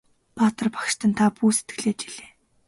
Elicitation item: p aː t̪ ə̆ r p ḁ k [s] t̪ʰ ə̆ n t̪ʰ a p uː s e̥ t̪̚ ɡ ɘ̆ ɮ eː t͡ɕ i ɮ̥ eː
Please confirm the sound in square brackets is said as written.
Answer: no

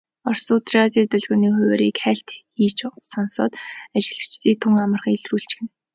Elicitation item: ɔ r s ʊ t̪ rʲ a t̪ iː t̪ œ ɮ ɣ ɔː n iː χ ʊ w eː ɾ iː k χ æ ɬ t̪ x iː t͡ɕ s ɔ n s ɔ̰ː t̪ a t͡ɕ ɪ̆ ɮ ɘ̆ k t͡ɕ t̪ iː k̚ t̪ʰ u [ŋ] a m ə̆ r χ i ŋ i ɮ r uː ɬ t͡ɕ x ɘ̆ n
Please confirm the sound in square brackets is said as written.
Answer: yes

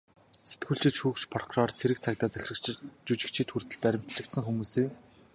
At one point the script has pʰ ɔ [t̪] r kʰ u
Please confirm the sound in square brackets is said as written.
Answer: no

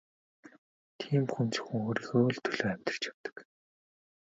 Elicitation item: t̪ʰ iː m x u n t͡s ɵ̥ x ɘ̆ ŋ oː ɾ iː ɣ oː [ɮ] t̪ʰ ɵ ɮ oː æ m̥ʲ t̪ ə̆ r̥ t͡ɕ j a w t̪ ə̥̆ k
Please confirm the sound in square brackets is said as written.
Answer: yes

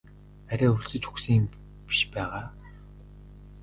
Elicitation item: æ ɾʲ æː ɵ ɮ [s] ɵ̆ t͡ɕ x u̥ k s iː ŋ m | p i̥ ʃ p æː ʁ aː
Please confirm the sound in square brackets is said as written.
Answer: yes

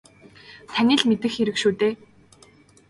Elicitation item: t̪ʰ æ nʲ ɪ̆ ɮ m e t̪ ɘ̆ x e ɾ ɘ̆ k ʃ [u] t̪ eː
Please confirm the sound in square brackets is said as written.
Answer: no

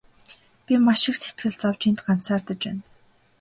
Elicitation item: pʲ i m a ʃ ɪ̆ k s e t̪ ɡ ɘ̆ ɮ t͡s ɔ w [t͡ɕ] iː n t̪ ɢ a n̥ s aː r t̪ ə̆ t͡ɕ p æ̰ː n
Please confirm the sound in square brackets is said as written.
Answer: yes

